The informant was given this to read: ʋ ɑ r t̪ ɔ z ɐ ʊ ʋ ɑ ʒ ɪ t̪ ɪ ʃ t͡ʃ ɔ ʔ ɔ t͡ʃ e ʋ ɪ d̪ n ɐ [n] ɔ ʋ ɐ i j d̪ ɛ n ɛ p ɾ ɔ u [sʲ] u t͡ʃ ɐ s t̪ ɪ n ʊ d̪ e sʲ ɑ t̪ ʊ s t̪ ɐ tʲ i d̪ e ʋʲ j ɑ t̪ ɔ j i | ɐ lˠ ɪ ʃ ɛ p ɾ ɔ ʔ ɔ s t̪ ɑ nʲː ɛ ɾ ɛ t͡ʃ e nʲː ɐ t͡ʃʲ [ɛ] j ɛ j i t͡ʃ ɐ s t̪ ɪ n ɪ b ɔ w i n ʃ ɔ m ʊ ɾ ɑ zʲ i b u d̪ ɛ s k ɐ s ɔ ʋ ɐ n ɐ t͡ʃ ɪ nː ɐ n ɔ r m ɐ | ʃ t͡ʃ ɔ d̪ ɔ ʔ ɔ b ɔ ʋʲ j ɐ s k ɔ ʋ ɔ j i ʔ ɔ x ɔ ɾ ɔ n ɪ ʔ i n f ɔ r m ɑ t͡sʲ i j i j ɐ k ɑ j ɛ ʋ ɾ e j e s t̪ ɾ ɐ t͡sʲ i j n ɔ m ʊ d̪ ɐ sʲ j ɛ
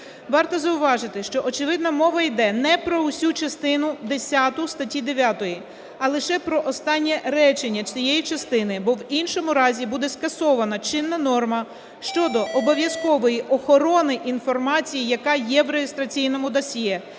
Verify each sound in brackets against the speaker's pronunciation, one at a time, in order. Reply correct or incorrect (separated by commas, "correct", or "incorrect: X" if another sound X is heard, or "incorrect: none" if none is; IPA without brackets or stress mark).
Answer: incorrect: m, correct, incorrect: i